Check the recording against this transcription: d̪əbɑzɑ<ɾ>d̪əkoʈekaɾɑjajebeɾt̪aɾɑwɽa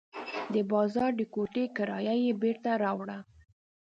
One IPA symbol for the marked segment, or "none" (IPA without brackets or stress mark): ɾ